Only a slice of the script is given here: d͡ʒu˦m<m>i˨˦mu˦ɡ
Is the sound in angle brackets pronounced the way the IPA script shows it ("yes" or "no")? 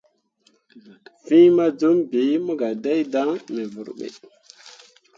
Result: no